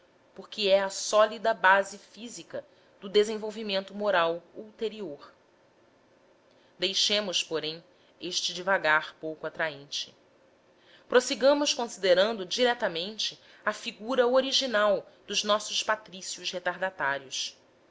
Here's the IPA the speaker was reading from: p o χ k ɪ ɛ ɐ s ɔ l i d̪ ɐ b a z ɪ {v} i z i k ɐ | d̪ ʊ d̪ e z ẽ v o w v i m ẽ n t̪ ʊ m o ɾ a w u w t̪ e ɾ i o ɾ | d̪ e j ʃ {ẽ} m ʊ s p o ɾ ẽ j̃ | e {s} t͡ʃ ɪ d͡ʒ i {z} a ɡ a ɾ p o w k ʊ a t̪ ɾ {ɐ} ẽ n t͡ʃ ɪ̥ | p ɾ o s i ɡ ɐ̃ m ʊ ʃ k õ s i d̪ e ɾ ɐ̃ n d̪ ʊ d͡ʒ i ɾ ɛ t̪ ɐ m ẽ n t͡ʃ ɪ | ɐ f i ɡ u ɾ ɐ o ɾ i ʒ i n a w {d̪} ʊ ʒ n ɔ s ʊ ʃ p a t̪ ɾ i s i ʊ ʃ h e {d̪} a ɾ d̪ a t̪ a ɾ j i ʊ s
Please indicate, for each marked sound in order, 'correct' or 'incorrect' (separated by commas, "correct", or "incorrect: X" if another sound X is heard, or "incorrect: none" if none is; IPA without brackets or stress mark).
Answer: incorrect: f, correct, incorrect: ʃ, incorrect: v, incorrect: a, correct, incorrect: t̪